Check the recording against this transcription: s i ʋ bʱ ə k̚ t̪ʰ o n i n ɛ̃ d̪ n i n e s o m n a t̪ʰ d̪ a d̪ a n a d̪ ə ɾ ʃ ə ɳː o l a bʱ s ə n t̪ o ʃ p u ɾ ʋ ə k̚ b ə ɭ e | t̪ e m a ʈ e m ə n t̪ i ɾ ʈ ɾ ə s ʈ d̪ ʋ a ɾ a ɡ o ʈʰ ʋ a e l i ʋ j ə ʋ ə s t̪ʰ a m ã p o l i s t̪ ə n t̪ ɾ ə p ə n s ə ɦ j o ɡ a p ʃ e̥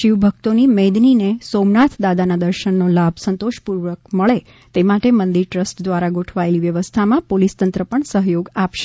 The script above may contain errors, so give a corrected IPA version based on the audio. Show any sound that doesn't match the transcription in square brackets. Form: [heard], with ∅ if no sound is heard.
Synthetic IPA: [ʃ] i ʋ bʱ ə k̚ [t̪] o n i [m] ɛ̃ d̪ n i n e s o m n a t̪ʰ d̪ a d̪ a n a d̪ ə ɾ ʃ ə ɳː o l a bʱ s ə n t̪ o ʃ p u ɾ ʋ ə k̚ [m] ə ɭ e | t̪ e m a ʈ e m ə n [d̪] i ɾ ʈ ɾ ə s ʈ d̪ ʋ a ɾ a ɡ o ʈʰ ʋ a e l i ʋ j ə ʋ ə s t̪ʰ a m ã p o l i s t̪ ə n t̪ ɾ ə p ə [ɳ] s ə ɦ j o ɡ a p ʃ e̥